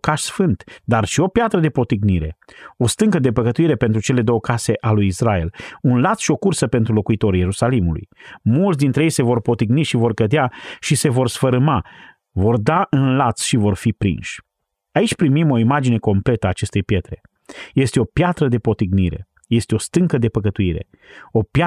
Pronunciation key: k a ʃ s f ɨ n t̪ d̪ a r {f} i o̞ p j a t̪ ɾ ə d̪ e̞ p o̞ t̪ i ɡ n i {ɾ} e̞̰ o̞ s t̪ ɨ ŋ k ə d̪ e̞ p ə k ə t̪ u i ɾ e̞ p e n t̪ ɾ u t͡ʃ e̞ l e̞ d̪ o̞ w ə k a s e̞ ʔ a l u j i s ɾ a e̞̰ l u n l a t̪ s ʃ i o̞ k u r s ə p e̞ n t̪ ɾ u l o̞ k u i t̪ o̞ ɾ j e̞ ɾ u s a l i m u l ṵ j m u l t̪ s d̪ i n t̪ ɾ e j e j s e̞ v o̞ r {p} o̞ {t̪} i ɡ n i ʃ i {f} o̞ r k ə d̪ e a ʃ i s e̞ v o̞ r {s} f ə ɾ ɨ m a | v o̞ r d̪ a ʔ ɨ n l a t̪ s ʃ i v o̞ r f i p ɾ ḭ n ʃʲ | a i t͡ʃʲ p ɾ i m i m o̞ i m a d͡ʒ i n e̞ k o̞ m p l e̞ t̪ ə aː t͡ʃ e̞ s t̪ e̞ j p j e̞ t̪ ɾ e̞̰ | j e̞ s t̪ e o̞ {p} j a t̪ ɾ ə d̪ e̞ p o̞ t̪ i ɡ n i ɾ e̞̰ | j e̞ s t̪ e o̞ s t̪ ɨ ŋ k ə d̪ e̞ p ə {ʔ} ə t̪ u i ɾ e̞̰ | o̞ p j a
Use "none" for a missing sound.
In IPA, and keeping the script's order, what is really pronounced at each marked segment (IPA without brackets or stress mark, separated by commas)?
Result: ʃ, ɾ, p, t̪, v, s, p, k